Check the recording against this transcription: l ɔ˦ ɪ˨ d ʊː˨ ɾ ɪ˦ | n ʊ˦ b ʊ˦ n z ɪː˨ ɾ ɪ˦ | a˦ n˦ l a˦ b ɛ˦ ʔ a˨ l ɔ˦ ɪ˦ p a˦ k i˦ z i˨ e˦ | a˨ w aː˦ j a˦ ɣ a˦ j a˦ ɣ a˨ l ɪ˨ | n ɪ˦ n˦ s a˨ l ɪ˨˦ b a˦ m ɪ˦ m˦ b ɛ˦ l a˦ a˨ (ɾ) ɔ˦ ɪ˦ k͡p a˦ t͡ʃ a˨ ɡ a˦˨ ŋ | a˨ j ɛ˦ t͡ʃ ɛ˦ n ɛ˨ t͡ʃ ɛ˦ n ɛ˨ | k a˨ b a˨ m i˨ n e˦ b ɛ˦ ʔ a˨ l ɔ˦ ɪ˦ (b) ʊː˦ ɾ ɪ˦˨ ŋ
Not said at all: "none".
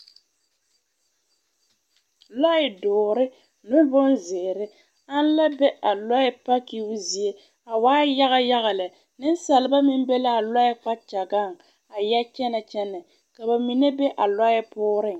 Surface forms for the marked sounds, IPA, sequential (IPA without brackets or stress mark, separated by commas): l, p